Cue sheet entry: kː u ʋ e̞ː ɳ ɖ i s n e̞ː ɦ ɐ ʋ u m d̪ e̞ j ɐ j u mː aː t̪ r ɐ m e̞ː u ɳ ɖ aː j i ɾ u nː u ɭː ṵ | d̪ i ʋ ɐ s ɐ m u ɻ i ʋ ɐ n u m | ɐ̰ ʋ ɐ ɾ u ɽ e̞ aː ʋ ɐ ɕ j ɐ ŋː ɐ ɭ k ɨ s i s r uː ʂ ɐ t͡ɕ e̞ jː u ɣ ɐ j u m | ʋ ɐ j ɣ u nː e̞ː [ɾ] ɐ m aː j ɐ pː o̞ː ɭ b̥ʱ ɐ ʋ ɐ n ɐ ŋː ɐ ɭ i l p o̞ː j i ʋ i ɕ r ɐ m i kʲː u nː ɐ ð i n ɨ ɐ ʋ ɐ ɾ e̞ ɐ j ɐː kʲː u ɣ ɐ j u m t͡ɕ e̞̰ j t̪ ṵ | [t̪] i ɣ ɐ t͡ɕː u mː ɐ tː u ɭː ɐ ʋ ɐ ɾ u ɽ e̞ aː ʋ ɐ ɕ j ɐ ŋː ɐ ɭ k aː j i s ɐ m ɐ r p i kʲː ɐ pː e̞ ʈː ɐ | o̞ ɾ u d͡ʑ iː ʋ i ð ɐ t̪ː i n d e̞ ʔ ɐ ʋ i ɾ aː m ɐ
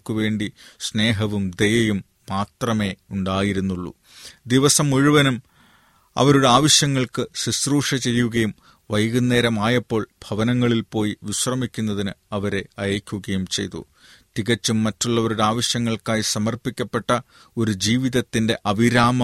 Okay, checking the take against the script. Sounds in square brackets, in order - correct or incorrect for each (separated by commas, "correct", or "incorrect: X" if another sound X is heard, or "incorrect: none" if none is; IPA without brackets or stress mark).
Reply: correct, correct